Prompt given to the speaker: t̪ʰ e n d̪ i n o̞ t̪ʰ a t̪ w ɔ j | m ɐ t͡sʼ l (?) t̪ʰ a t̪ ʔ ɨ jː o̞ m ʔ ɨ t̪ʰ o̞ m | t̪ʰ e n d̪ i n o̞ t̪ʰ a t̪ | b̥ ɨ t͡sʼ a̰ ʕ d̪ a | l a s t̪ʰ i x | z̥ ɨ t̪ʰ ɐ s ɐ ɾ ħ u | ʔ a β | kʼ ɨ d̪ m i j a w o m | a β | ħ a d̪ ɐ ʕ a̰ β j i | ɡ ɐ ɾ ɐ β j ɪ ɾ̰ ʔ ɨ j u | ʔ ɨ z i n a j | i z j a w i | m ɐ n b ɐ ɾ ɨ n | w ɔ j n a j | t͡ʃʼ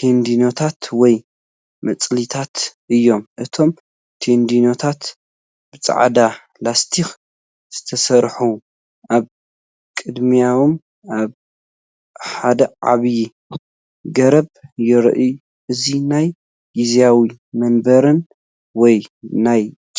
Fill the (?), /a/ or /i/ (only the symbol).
i